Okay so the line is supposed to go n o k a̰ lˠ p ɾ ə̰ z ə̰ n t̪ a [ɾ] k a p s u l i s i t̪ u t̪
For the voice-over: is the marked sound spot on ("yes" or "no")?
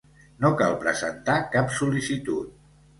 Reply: no